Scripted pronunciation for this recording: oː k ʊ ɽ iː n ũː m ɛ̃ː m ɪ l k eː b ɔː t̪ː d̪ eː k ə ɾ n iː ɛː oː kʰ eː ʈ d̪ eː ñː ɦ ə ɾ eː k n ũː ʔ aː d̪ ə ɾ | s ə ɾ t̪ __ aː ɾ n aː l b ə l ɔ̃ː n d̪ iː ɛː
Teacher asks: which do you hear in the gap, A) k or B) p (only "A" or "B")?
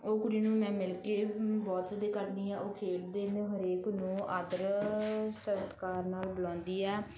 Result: A